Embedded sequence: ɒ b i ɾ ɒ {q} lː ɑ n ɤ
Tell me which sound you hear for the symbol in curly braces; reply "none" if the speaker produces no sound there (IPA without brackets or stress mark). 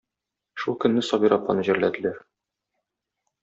p